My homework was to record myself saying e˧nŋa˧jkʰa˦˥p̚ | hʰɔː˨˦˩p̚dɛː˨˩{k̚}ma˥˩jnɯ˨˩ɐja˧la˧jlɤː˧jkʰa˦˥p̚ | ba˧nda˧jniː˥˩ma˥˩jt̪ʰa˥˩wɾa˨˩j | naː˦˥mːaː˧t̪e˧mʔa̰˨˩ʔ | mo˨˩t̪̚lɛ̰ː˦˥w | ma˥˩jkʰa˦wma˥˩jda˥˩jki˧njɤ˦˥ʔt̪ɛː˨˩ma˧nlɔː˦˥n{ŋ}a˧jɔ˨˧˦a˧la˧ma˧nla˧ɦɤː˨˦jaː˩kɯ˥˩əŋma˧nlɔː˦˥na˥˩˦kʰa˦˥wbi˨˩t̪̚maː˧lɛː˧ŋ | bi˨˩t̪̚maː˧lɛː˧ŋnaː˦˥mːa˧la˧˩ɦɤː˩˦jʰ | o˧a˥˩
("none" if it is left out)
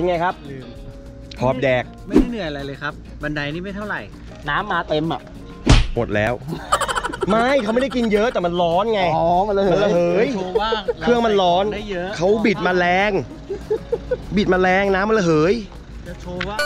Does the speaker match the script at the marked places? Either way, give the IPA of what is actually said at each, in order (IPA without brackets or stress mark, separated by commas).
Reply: k̚, ŋ